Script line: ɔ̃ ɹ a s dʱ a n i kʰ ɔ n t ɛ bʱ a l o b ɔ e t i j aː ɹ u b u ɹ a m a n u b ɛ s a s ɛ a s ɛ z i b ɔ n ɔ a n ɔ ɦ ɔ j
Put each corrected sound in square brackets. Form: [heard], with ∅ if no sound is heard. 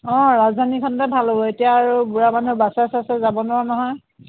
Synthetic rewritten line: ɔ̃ ɹ a [z] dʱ a n i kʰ ɔ n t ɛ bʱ a l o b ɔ e t i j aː ɹ u b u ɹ a m a n u b [a] s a s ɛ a s ɛ z [a] b ɔ n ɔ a n ɔ ɦ ɔ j

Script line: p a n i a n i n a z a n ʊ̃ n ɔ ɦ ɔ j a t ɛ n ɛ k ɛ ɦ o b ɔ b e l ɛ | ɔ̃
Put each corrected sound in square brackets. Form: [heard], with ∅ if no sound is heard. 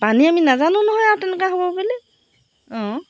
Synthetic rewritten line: p a n i a [m] i n a z a n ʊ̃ n ɔ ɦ ɔ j a t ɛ n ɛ k [a] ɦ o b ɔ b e l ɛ | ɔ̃

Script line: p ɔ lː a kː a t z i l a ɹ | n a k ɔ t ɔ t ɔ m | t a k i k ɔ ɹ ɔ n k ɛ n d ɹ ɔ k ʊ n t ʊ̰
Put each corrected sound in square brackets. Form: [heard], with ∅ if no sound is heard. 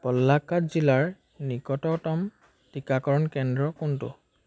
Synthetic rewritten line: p ɔ lː a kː a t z i l a ɹ | n [i] k ɔ t ɔ t ɔ m | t [i] k [a] k ɔ ɹ ɔ n k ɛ n d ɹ ɔ k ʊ n t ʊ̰

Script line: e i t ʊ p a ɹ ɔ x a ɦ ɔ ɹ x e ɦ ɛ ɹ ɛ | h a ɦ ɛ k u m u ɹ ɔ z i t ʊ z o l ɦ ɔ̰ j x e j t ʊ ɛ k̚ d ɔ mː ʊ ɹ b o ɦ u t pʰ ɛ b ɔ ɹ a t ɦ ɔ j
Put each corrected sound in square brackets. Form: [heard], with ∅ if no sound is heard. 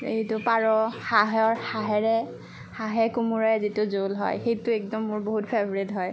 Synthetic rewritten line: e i t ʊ p a ɹ ɔ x a ɦ ɔ ɹ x [a] ɦ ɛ ɹ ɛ | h a ɦ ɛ k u m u ɹ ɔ z i t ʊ z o l ɦ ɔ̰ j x e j t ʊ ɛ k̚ d ɔ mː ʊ ɹ b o ɦ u t pʰ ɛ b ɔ ɹ [i] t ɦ ɔ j

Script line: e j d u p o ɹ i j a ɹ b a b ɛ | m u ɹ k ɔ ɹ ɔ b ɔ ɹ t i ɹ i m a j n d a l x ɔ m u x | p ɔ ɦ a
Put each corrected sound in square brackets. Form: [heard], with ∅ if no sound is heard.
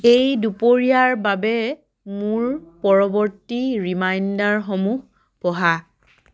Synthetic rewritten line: e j d u p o ɹ i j a ɹ b a b ɛ | m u ɹ [p] ɔ ɹ ɔ b ɔ ɹ t i ɹ i m a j n d a [ɹ] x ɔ m u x | p ɔ ɦ a

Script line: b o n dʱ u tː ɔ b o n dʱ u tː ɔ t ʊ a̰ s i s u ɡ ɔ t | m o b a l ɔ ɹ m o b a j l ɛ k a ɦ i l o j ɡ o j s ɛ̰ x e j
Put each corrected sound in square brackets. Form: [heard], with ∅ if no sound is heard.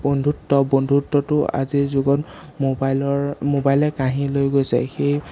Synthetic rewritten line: b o n dʱ u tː ɔ b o n dʱ u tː ɔ t ʊ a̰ [z] i [z] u ɡ ɔ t | m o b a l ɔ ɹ m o b a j l ɛ k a ɦ i l o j ɡ o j s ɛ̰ x e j

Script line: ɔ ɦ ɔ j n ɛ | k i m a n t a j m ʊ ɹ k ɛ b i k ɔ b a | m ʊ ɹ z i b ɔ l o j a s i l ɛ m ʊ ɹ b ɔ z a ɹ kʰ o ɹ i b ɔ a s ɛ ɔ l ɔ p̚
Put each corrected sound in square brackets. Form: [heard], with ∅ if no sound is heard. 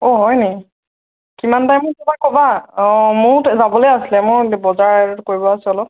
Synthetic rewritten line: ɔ ɦ ɔ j n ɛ | k i m a n t a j m ʊ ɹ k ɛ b [a] k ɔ b a | m ʊ ɹ z [a] b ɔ l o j a s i l ɛ m ʊ ɹ b ɔ z a ɹ [k] o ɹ i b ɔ a s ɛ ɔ l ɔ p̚

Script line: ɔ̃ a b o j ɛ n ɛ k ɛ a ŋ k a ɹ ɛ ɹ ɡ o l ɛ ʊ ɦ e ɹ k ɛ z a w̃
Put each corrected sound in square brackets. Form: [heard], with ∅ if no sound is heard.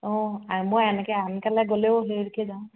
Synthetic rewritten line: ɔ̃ a [m] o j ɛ n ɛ k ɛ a [n] k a [l] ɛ [∅] ɡ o l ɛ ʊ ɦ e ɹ k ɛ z a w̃

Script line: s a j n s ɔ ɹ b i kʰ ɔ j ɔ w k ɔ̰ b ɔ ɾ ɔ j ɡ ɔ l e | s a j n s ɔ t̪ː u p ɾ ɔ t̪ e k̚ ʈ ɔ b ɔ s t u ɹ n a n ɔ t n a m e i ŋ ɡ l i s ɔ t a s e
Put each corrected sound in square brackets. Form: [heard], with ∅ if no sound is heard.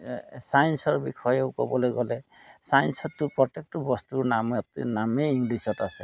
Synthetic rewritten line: s a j n s ɔ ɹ b i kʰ ɔ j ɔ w k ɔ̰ b ɔ [l] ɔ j ɡ ɔ l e | s a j n s ɔ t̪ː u p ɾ ɔ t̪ e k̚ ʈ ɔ b ɔ s t u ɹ n a [m] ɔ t n a m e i ŋ ɡ l i s ɔ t a s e

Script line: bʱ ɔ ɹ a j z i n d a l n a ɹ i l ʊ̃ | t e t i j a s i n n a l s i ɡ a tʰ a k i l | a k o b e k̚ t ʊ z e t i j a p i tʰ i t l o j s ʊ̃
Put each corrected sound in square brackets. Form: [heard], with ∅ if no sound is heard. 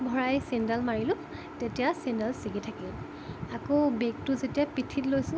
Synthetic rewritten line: bʱ ɔ ɹ a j [s] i n d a l [m] a ɹ i l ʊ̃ | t e t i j a s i n [d] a l s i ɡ [i] tʰ a k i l | a k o b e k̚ t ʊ z e t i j a p i tʰ i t l o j s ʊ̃

